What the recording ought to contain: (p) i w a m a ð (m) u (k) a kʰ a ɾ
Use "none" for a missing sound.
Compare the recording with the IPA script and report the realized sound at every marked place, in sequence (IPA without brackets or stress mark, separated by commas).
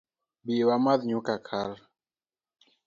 b, ɲ, k